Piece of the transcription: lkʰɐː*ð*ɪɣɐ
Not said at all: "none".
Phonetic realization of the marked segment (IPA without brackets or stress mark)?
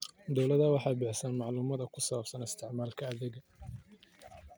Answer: ð